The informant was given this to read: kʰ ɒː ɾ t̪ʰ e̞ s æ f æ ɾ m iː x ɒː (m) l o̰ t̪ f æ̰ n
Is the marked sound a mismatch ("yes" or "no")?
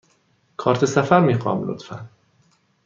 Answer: no